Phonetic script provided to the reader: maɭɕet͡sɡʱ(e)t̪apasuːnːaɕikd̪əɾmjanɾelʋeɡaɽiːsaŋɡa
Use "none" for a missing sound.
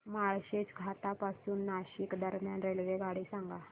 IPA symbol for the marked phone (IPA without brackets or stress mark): a